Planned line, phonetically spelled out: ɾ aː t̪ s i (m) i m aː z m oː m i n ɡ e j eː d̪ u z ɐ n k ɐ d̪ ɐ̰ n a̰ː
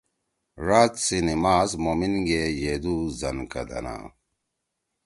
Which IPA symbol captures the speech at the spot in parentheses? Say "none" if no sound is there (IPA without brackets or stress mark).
n